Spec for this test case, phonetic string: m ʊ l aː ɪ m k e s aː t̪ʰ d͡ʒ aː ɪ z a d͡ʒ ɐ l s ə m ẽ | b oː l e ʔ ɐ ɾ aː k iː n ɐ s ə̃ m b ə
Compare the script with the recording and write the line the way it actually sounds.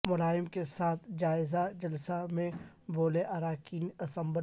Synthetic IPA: m ʊ l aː ɪ m k e s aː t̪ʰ d͡ʒ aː ɪ z a d͡ʒ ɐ l s a m ẽ | b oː l e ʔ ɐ ɾ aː k iː n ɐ s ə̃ m b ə